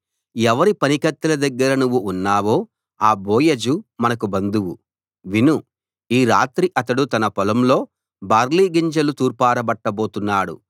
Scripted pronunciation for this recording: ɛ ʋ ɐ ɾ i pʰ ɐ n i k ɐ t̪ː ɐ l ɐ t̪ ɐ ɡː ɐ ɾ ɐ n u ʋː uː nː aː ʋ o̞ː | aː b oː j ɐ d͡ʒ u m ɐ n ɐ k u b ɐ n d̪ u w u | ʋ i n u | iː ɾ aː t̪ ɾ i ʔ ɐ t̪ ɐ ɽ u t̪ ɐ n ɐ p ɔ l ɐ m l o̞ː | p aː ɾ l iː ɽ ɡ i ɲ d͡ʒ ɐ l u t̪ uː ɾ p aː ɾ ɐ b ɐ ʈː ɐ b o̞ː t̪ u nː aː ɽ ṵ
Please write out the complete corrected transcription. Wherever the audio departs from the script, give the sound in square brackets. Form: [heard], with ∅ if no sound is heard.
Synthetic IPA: ɛ ʋ ɐ ɾ i [p] ɐ n i k ɐ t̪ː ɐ l ɐ [d̪] ɐ ɡː ɐ ɾ ɐ n u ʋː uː nː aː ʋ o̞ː | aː b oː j ɐ d͡ʒ u m ɐ n ɐ k u b ɐ n d̪ u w u | ʋ i n u | iː ɾ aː t̪ ɾ i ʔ ɐ t̪ ɐ ɽ u t̪ ɐ n ɐ p ɔ l ɐ m l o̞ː | [b] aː ɾ l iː [∅] ɡ i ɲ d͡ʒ ɐ l u t̪ uː ɾ p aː ɾ ɐ b ɐ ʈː ɐ b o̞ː t̪ u nː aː ɽ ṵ

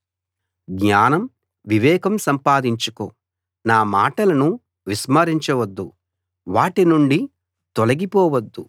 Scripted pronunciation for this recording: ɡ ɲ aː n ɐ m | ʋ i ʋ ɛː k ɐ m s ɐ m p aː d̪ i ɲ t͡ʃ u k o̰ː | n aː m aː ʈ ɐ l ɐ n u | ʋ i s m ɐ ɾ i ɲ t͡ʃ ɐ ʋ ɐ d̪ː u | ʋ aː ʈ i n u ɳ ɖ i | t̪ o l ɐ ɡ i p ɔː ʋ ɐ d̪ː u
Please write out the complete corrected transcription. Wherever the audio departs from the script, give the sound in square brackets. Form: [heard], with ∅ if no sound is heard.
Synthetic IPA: ɡ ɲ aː n ɐ m | ʋ i ʋ ɛː k ɐ m s ɐ m p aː d̪ i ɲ t͡ʃ u k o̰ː | n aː m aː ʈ ɐ l ɐ n u | ʋ i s m ɐ ɾ i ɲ t͡ʃ ɐ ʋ ɐ d̪ː u | ʋ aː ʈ i n u ɳ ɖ i | t̪ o l ɐ ɡ i p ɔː ʋ ɐ d̪ː u

